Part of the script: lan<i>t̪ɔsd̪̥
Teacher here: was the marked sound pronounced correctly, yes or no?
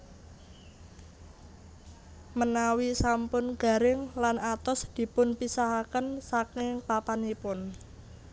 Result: no